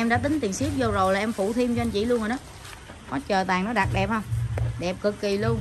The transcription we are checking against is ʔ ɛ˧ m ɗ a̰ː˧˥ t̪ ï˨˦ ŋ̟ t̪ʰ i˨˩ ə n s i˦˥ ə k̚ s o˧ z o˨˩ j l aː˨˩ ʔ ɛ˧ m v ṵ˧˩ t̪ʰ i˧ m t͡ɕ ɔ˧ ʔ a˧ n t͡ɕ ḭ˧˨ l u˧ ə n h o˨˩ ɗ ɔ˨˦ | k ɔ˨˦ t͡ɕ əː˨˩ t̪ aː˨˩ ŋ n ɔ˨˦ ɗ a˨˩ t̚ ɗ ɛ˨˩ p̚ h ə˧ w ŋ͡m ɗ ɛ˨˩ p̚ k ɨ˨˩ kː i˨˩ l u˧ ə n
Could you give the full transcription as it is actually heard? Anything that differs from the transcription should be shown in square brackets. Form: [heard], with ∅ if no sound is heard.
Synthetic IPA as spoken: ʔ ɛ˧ m ɗ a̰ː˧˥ t̪ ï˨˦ ŋ̟ [t̪] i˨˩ ə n s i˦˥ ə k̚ [z] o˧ z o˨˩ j l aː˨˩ ʔ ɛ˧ m [f] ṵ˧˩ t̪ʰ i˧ m t͡ɕ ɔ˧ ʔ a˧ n t͡ɕ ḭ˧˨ l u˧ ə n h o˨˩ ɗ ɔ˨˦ | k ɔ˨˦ t͡ɕ əː˨˩ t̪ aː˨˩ ŋ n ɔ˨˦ ɗ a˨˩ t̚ ɗ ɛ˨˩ p̚ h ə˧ w ŋ͡m ɗ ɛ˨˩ p̚ k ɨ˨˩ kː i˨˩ l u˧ ə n